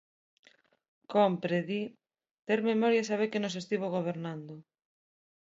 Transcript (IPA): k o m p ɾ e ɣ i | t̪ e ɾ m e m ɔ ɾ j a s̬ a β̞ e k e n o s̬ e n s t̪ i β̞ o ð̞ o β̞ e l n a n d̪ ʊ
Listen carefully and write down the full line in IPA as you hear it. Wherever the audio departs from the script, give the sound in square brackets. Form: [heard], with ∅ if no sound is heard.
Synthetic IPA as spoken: k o m p ɾ e [ð] i | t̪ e ɾ m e m ɔ ɾ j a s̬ a β̞ e k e n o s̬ e [∅] s t̪ i β̞ o [ɣ̞] o β̞ e [ɾ] n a n d̪ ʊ